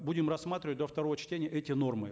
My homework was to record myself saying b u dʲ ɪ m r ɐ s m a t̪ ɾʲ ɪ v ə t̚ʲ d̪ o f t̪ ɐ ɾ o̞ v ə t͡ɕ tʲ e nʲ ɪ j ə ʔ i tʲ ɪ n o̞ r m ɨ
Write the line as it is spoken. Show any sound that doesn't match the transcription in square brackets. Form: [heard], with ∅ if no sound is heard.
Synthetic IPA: b u dʲ ɪ m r ɐ s m a t̪ ɾʲ ɪ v ə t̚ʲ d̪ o f t̪ ɐ ɾ o̞ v ə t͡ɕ tʲ e nʲ ɪ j ə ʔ [ɛ] tʲ ɪ n o̞ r m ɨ